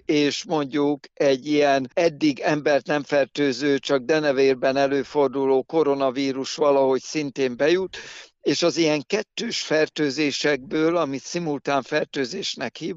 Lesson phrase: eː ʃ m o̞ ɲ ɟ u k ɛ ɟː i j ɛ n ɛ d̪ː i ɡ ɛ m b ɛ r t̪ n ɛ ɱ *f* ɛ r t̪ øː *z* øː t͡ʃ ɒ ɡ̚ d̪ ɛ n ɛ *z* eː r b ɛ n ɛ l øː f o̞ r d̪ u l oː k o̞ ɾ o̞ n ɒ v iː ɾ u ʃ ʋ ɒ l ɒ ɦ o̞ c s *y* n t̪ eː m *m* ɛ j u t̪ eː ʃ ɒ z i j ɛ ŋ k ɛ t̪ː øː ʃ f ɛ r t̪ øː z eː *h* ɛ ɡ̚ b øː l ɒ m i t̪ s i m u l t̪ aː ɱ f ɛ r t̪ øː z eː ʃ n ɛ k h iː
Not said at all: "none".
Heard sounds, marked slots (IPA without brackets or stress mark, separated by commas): f, z, v, i, b, ʃ